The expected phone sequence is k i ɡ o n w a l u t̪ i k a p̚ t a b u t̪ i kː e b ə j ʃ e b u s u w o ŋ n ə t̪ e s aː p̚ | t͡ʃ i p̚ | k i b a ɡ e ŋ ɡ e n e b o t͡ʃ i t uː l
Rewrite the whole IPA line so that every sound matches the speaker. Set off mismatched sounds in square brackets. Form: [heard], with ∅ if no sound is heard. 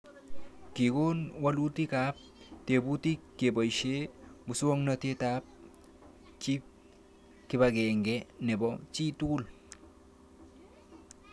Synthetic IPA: k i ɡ o n w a l u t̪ i k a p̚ t [e] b u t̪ i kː e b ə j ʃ e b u s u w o ŋ n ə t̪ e [t] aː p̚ | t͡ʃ i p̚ | k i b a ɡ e ŋ ɡ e n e b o t͡ʃ i t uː l